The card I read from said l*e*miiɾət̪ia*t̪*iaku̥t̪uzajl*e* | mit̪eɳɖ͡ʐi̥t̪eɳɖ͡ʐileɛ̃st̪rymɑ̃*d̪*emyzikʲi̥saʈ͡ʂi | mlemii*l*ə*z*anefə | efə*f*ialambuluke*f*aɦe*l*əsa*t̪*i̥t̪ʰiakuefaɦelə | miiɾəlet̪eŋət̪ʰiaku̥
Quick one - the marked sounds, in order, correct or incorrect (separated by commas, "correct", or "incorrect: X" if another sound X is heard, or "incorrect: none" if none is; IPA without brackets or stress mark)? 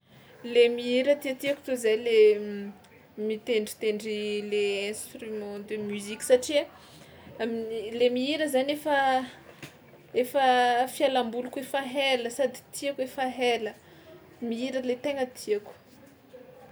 correct, correct, correct, correct, incorrect: ɾ, correct, correct, correct, correct, incorrect: d̪